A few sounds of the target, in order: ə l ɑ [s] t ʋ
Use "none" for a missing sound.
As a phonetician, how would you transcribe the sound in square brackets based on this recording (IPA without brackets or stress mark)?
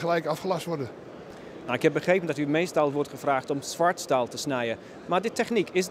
s